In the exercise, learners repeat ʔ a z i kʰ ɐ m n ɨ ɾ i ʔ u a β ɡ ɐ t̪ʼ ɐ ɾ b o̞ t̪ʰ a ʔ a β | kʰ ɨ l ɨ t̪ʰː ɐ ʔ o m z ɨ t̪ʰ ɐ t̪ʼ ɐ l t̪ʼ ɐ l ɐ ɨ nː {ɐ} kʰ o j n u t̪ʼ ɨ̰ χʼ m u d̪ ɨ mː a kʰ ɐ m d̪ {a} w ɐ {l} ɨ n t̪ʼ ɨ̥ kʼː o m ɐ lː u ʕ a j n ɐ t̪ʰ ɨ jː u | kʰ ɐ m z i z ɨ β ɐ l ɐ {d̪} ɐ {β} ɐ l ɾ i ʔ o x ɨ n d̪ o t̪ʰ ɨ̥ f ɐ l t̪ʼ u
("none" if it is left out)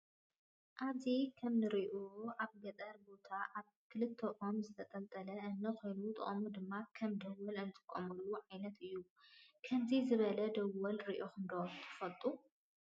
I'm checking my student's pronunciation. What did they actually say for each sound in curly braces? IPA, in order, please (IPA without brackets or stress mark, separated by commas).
ɐ, ɐ, l, d̪, w